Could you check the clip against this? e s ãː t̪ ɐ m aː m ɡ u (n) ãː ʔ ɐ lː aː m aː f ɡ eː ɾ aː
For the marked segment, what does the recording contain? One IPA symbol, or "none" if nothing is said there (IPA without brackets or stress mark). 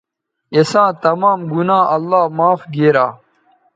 n